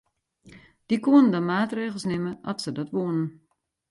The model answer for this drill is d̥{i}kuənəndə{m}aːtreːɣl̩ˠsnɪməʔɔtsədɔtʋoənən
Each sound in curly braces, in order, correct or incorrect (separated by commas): correct, correct